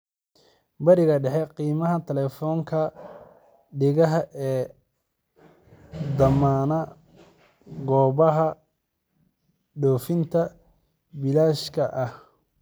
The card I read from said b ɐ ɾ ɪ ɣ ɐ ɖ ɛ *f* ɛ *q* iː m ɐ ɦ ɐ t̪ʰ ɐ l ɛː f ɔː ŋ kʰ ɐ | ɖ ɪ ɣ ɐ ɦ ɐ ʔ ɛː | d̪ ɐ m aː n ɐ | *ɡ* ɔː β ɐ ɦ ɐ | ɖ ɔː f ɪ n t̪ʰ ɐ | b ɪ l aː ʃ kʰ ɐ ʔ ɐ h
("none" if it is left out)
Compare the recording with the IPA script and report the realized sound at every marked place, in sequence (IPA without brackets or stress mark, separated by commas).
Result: ħ, q, ɡ